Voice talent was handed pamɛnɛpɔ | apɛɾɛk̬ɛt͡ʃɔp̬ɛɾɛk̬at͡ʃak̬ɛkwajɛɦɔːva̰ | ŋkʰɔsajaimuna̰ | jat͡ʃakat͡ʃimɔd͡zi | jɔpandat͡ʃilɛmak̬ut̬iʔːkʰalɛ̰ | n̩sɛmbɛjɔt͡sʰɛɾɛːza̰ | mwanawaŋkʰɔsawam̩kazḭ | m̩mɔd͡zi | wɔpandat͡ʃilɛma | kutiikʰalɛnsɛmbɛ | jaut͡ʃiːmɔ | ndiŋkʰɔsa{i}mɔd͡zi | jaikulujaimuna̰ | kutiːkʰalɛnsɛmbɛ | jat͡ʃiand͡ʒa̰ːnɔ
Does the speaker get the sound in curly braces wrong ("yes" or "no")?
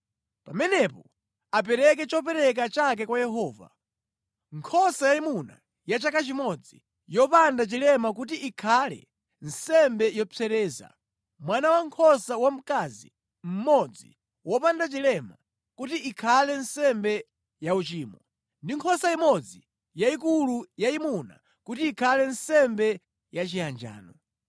no